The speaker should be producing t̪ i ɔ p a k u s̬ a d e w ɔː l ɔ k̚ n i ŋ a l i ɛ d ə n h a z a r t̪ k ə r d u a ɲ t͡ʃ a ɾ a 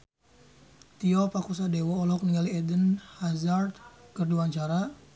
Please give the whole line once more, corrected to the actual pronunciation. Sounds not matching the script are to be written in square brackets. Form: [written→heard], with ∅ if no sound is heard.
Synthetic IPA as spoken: t̪ i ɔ p a k u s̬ a d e w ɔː l ɔ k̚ n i ŋ a l i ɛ d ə n h a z a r t̪ k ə r d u a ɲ t͡ʃ a ɾ a